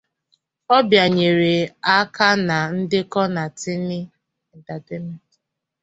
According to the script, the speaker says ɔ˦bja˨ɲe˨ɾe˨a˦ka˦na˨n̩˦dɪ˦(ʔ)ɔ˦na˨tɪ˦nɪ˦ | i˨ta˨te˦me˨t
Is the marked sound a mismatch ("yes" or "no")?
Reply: yes